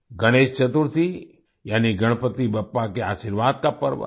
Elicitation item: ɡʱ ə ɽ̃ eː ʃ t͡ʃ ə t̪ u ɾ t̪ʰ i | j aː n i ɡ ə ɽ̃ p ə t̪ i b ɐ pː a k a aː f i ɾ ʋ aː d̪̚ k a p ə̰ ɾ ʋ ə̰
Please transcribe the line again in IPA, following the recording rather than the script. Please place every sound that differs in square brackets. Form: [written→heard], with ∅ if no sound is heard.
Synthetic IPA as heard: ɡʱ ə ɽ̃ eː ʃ t͡ʃ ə t̪ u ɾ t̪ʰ i | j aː n i ɡ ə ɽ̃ p ə t̪ i b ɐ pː a k [a→e] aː [f→ʃ] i ɾ ʋ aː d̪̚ k a p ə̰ ɾ ʋ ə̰